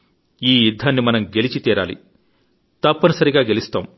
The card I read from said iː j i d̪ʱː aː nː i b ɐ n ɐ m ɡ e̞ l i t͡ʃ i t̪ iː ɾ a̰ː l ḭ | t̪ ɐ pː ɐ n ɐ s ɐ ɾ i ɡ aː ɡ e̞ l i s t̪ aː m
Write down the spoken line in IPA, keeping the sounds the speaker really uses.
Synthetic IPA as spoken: iː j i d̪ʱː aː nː i m ɐ n ɐ m ɡ e̞ l i t͡ʃ i t̪ iː ɾ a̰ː l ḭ | t̪ ɐ pː ɐ n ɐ s ɐ ɾ i ɡ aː ɡ e̞ l i s t̪ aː m